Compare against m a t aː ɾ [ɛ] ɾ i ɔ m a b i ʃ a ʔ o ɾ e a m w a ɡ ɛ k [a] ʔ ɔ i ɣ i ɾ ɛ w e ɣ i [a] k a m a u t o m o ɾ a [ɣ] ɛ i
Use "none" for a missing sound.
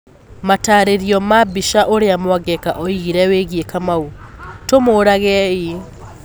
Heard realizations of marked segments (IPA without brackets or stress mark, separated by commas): e, a, e, ɣ